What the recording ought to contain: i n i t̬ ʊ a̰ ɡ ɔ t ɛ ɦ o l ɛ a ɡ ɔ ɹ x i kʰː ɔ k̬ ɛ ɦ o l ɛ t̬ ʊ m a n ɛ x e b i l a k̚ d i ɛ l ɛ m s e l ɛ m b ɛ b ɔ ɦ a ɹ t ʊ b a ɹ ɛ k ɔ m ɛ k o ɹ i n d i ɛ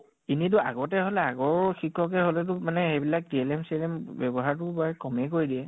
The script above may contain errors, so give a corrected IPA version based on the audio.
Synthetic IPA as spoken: i n i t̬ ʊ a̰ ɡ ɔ t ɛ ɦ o l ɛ a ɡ ɔ ɹ x i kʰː ɔ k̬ ɛ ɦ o l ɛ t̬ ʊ m a n ɛ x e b i l a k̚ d i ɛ l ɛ m s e l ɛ m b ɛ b ɔ ɦ a ɹ t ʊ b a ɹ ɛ k ɔ m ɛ k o ɹ i d i ɛ

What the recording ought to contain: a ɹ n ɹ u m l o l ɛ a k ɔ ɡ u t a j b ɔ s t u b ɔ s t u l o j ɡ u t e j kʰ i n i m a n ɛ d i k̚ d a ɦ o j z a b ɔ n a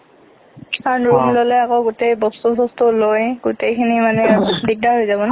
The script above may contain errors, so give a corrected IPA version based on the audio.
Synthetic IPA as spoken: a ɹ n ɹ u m l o l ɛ a k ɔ ɡ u t e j b ɔ s t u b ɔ s t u l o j ɡ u t e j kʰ i n i m a n ɛ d i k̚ d a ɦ o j z a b ɔ n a

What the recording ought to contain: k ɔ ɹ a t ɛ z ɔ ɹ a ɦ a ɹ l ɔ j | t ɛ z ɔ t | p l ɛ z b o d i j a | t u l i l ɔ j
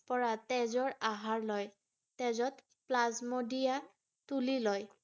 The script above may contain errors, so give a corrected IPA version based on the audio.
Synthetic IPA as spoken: p ɔ ɹ a t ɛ z ɔ ɹ a ɦ a ɹ l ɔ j | t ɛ z ɔ t | p l a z m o d i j a | t u l i l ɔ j

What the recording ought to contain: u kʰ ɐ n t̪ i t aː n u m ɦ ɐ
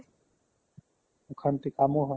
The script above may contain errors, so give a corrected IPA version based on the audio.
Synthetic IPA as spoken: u kʰ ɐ n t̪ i k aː m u ɦ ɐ

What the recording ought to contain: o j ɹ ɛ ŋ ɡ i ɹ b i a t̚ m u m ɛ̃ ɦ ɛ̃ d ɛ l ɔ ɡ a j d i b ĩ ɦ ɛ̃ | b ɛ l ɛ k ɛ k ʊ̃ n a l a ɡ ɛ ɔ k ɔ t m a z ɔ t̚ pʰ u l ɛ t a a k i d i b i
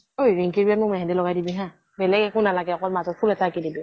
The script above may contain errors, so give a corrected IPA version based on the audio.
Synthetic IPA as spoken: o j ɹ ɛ ŋ k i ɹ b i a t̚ m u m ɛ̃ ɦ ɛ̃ d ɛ l ɔ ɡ a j d i b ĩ ɦ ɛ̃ | b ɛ l ɛ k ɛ k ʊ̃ n a l a ɡ ɛ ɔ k ɔ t m a z ɔ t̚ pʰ u l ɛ t a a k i d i b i

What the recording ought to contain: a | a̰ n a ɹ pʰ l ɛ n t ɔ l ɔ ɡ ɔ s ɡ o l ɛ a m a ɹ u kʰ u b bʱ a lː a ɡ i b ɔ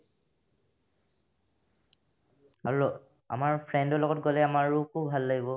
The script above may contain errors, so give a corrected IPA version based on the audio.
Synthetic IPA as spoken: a | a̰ m a ɹ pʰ ɹ ɛ n d ɔ l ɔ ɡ ɔ t ɡ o l ɛ a m a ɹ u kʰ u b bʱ a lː a ɡ i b ɔ

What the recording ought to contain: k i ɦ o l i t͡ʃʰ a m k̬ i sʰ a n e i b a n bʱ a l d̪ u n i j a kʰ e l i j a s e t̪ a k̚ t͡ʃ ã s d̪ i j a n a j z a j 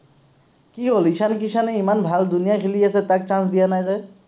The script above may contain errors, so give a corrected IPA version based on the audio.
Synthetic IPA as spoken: k i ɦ o l i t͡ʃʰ a n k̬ i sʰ a n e i m a n bʱ a l d̪ u n i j a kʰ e l i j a s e t̪ a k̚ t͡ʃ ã s d̪ i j a n a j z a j

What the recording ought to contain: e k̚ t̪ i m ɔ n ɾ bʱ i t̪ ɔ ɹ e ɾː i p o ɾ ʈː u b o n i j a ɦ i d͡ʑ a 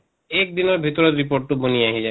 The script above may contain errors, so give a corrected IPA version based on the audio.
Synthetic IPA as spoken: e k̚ d̪ i n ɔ ɾ bʱ i t̪ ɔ ɾ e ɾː i p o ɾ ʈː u b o n i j a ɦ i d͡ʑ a

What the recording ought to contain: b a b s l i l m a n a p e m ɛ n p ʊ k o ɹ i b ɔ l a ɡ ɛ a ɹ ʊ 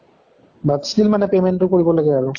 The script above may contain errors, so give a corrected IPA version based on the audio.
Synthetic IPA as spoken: b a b s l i l m a n ɛ p e m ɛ n t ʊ k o ɹ i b ɔ l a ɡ ɛ a ɹ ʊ

